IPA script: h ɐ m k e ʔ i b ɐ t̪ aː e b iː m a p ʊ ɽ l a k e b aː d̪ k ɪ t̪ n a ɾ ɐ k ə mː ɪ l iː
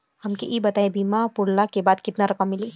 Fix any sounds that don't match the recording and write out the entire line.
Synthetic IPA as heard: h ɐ m k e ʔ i b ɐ t̪ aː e b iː m a p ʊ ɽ l a k e b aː d̪ k ɪ t̪ n a ɾ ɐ k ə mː ɪ l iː